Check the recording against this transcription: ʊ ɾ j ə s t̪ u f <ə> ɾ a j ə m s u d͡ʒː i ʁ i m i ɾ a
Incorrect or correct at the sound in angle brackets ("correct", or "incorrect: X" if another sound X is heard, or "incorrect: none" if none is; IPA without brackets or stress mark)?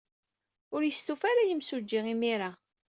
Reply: incorrect: a